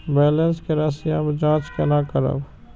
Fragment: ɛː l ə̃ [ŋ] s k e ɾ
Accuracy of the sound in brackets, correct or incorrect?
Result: incorrect